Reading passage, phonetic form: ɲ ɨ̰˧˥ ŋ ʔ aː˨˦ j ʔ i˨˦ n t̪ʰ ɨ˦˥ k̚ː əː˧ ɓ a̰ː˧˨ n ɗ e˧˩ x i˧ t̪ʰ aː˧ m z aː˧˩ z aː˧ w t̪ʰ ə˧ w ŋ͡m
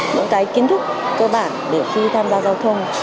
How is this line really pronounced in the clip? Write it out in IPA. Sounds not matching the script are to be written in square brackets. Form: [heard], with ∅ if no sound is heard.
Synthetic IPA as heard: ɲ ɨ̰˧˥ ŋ [k] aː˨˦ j [k] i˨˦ n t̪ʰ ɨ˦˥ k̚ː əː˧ ɓ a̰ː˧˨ n ɗ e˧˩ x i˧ t̪ʰ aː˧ m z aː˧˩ z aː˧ w t̪ʰ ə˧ w ŋ͡m